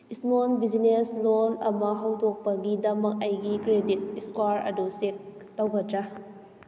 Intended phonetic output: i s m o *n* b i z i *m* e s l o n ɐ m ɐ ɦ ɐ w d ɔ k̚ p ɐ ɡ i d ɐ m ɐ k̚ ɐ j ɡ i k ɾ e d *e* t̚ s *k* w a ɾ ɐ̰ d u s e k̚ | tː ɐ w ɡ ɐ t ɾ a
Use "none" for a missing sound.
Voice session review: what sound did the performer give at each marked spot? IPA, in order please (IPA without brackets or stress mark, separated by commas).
n, n, i, k